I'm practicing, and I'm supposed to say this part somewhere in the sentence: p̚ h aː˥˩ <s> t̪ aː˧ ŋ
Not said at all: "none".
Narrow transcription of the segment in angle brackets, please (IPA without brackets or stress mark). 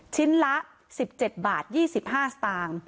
s